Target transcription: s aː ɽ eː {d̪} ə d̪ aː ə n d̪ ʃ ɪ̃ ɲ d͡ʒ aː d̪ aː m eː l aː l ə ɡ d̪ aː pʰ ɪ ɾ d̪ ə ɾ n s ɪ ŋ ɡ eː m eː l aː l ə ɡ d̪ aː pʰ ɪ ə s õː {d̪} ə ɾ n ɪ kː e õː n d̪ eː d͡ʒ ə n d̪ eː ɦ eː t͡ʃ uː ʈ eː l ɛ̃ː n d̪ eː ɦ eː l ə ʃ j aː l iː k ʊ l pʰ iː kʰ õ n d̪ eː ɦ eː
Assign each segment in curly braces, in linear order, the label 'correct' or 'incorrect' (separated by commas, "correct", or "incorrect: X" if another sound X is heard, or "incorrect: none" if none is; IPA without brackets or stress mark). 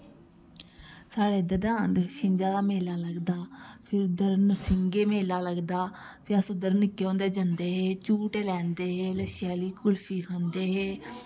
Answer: correct, correct